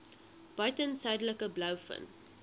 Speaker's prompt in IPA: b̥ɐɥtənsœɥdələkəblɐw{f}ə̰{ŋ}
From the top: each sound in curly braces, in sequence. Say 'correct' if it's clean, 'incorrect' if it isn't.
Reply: correct, incorrect

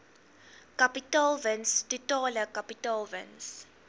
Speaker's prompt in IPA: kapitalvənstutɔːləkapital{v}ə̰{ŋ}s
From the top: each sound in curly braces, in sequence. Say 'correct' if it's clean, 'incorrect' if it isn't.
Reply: correct, incorrect

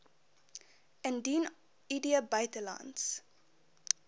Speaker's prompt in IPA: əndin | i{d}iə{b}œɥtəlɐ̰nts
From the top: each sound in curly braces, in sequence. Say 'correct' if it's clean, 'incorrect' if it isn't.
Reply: correct, correct

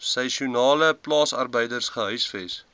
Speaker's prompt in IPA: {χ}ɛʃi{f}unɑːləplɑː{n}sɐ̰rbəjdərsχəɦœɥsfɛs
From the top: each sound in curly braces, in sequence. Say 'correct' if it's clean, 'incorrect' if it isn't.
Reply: incorrect, incorrect, incorrect

